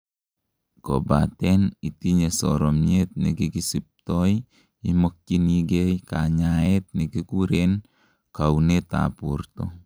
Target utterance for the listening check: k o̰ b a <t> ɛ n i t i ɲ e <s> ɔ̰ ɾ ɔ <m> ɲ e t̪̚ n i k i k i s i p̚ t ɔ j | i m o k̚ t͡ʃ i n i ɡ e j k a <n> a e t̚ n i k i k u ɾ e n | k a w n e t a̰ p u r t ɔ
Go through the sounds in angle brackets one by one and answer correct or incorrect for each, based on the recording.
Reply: correct, correct, correct, incorrect

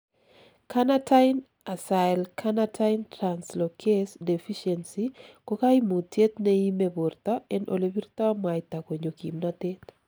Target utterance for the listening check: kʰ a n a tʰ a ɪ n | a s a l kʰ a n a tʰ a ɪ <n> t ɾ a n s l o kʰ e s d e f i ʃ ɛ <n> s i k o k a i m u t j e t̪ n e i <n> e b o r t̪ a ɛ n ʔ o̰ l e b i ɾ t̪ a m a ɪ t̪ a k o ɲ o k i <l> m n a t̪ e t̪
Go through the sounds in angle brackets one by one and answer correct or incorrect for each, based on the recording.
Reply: correct, correct, incorrect, incorrect

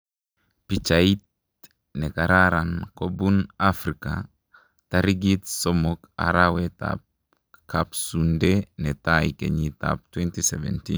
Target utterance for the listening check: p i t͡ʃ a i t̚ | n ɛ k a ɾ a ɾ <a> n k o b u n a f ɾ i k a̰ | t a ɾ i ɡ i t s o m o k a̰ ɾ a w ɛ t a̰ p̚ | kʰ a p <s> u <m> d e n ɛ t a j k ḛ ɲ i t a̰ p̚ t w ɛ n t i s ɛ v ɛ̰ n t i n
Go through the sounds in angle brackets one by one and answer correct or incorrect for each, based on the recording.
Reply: correct, correct, incorrect

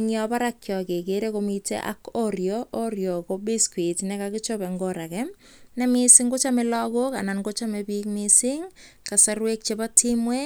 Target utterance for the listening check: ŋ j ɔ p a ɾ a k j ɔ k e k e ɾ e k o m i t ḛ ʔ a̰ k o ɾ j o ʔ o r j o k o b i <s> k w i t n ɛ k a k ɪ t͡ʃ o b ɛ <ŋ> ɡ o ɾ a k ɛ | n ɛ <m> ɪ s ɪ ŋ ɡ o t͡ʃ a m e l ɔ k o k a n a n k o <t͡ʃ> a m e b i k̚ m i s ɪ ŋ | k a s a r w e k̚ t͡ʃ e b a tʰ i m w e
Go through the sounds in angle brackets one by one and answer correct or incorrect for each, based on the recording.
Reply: correct, correct, correct, correct

